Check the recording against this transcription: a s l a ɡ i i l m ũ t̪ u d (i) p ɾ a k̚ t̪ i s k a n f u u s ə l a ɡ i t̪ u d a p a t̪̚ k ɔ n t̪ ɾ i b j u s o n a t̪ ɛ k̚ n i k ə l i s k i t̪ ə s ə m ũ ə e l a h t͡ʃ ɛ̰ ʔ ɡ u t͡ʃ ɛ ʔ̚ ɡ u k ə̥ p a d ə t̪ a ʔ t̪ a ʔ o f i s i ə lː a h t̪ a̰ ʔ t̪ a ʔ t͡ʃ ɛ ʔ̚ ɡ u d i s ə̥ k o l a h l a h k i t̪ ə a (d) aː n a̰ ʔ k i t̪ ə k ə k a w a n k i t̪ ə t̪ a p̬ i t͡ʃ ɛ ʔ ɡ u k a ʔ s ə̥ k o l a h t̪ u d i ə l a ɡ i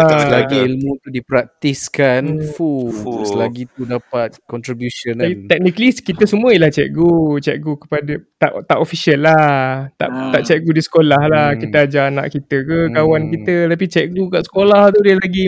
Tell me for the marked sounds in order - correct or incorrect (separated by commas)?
correct, incorrect